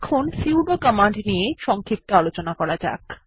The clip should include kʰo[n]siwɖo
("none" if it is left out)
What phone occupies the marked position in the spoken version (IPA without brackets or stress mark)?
n